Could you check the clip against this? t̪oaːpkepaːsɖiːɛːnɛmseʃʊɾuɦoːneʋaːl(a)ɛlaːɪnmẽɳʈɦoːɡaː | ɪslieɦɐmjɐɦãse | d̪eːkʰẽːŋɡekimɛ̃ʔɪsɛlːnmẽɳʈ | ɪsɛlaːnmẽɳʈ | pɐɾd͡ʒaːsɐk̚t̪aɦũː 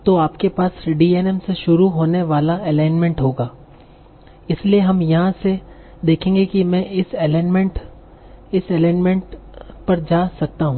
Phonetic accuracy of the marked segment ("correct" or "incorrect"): correct